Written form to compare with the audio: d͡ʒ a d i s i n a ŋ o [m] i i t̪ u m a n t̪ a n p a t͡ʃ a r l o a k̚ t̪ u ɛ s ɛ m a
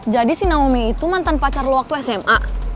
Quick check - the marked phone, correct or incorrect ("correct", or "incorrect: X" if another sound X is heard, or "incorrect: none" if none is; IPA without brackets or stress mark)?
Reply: correct